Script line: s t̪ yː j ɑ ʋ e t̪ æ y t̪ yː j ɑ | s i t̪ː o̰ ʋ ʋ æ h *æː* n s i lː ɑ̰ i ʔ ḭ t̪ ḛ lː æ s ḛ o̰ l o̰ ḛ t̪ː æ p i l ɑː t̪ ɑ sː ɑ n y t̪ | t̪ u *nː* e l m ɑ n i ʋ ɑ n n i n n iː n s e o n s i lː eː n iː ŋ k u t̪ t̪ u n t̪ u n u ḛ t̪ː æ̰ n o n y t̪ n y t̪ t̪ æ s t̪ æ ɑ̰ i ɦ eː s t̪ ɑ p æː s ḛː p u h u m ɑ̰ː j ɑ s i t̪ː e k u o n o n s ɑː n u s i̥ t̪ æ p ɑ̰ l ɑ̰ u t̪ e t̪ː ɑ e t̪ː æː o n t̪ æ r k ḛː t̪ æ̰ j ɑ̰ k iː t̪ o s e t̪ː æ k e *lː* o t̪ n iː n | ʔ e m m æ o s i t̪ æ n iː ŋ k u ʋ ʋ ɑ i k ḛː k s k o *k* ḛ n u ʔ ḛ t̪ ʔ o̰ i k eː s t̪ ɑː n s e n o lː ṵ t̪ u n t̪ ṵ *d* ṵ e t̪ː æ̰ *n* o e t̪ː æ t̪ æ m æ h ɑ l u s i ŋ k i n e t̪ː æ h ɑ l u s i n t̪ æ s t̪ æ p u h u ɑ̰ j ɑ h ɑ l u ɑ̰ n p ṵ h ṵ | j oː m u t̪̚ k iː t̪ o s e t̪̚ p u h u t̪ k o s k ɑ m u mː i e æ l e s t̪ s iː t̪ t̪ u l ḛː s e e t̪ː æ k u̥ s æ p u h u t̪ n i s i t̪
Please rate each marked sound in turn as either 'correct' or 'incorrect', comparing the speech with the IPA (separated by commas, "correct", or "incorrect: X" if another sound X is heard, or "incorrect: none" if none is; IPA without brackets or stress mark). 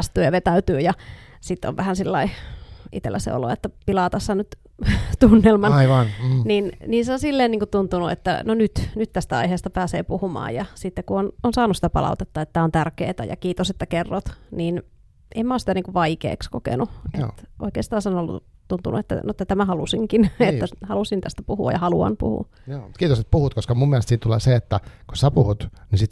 incorrect: æ, correct, incorrect: rː, correct, incorrect: n, correct